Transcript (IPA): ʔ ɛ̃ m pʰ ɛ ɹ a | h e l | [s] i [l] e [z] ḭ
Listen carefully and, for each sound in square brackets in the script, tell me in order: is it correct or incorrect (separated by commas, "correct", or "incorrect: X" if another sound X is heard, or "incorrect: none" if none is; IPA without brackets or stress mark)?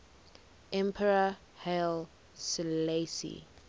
correct, correct, incorrect: s